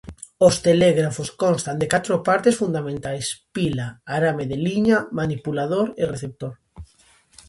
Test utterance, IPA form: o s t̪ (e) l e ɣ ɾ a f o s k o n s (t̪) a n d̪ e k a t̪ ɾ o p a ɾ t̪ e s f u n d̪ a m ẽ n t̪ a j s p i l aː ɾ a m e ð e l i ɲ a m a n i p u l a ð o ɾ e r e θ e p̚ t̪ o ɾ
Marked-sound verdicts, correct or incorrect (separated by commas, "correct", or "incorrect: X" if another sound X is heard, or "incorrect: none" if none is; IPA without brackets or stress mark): correct, correct